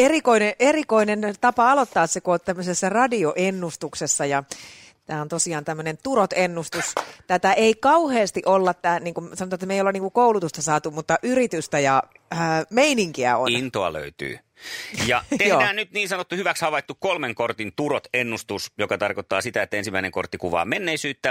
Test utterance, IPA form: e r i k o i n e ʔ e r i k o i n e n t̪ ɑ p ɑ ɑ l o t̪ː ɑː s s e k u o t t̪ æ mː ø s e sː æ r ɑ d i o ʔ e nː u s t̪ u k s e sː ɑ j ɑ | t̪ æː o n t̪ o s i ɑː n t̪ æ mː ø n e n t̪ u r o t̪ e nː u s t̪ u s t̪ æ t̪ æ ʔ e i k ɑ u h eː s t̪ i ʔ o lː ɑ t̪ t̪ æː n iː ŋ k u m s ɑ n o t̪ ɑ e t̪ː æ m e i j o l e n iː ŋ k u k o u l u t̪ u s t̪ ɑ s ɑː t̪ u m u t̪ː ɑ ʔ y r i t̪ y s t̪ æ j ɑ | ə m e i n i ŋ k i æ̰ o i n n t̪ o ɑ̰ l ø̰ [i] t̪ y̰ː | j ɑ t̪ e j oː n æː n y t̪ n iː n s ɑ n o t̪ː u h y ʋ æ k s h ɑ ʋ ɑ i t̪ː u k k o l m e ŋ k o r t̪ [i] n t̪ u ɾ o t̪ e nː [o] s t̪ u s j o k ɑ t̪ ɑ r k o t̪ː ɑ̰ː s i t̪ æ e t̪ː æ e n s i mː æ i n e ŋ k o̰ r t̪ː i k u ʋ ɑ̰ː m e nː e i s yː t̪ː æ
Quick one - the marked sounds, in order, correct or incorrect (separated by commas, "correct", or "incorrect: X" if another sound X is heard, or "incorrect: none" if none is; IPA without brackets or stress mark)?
incorrect: y, correct, incorrect: u